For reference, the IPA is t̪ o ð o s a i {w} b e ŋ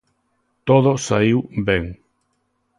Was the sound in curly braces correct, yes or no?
yes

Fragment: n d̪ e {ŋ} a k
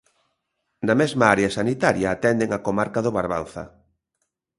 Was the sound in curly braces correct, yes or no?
yes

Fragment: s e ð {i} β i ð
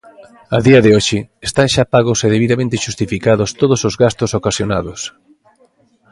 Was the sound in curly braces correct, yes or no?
no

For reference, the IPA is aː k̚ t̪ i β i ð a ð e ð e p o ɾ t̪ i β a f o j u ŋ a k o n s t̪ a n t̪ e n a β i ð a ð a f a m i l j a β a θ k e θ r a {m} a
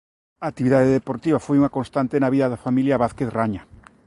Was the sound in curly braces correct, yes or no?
no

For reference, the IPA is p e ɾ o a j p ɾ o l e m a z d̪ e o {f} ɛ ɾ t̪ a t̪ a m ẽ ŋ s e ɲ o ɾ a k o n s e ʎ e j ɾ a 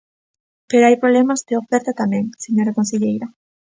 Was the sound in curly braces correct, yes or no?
yes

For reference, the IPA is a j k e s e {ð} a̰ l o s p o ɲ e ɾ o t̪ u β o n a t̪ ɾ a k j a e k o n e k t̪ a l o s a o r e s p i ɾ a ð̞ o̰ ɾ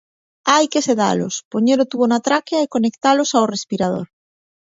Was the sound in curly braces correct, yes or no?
yes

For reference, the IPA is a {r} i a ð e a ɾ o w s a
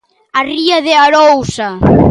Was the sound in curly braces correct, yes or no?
yes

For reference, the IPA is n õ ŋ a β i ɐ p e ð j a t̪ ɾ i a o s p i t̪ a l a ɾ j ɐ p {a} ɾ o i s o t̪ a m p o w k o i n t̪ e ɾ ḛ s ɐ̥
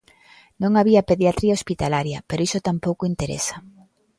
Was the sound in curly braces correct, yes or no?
no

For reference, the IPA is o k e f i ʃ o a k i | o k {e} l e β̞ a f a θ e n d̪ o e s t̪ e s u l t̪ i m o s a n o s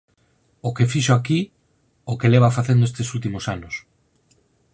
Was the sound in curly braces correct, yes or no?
yes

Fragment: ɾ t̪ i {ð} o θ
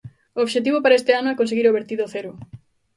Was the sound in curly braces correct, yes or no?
yes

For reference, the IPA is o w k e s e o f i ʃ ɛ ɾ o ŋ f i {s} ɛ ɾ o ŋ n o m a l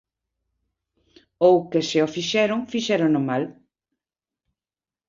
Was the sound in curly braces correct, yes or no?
no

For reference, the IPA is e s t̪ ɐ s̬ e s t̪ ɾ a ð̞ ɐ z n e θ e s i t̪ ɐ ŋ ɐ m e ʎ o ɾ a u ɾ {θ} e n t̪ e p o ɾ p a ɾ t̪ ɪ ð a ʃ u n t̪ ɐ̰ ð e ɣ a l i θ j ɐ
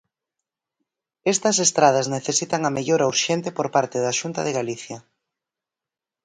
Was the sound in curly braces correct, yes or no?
no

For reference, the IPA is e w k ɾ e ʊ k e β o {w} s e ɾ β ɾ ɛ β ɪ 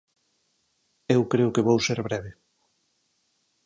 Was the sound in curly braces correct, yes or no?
yes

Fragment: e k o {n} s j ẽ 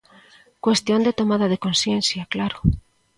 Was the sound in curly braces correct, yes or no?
yes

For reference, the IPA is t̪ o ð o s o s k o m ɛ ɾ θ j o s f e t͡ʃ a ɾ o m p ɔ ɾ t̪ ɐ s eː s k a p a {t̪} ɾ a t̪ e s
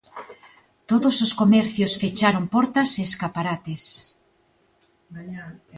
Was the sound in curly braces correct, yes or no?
no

